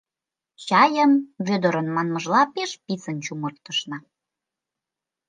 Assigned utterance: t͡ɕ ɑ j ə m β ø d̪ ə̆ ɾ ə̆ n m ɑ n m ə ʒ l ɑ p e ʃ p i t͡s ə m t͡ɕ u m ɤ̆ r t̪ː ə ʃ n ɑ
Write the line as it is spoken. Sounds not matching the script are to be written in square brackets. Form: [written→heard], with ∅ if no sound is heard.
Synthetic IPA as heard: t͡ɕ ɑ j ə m β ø d̪ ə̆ ɾ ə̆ n m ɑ n m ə ʒ l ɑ p e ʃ p i t͡s ə [m→n] t͡ɕ u m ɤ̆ r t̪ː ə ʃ n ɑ